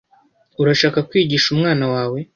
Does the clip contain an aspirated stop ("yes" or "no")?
no